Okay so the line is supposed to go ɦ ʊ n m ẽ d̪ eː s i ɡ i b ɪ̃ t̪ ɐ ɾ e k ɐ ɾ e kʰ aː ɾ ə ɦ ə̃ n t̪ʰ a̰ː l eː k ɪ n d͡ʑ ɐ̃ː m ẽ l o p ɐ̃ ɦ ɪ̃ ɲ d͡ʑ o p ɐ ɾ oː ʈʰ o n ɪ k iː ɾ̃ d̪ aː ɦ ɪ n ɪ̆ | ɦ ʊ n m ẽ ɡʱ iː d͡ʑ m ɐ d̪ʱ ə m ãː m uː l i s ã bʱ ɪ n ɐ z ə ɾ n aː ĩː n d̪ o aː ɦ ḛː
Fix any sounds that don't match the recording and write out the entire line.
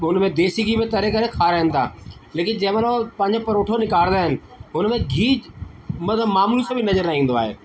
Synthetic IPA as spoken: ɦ ʊ n m ẽ d̪ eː s i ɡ i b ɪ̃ t̪ ɐ ɾ e k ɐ ɾ e kʰ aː ɾ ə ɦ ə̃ n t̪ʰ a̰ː l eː k ɪ n d͡ʑ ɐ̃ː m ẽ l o p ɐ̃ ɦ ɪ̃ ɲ d͡ʑ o p ɐ ɾ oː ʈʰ o n ɪ k aː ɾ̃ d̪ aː ɦ ɪ n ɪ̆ | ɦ ʊ n m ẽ ɡʱ iː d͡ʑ m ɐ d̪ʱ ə m aː m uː l i s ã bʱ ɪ n ɐ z ə ɾ n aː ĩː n d̪ o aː ɦ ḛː